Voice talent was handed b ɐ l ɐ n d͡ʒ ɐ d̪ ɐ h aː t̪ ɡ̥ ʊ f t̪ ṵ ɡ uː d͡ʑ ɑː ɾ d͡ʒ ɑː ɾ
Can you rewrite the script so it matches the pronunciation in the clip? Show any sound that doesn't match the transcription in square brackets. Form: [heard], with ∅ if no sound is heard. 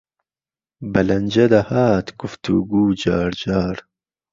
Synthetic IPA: b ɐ l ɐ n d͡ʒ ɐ d̪ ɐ h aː t̪ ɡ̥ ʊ f t̪ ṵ ɡ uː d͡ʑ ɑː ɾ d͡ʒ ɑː ɾ